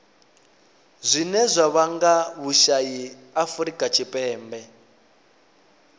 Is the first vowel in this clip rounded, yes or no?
no